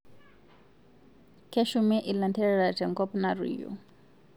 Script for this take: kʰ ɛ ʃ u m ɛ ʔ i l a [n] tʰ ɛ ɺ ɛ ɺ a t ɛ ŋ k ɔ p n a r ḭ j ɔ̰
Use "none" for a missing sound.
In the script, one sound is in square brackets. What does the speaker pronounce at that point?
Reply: n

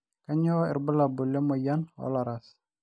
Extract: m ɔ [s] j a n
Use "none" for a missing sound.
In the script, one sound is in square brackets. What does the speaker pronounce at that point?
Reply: none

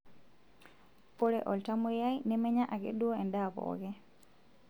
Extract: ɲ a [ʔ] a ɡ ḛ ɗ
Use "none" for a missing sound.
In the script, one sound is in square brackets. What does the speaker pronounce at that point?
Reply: ʔ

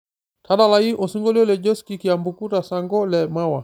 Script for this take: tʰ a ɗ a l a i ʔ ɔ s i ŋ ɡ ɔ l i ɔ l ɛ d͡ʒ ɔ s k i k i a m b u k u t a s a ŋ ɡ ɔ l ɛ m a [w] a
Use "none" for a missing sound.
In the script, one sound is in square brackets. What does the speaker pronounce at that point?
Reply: w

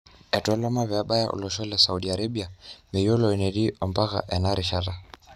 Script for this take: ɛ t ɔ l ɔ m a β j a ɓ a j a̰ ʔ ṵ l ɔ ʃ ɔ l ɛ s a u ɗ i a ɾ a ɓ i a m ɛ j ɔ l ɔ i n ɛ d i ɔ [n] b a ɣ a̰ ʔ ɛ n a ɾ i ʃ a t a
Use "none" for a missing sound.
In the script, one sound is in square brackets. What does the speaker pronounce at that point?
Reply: m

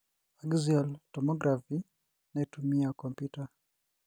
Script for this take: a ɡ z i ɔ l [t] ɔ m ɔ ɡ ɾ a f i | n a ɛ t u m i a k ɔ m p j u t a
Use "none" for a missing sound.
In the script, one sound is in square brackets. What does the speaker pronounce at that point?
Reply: t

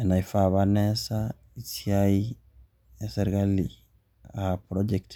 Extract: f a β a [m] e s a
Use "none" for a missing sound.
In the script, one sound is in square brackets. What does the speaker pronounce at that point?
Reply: n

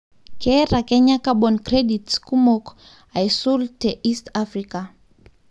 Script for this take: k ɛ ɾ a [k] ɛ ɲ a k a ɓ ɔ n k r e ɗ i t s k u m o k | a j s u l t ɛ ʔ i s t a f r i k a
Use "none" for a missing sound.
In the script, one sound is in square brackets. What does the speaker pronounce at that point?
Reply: k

